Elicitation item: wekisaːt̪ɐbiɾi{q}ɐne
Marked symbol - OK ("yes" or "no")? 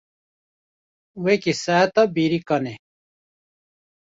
no